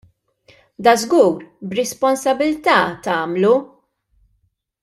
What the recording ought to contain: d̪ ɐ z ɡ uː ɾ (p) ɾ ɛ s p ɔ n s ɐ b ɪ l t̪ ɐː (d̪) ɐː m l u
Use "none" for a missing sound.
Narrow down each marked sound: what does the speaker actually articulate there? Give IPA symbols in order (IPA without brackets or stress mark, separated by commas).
b, t̪